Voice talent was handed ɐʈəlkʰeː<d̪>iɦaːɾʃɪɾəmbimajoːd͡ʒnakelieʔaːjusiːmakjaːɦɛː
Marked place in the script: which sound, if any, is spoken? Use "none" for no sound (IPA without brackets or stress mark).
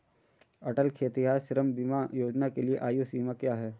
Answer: t̪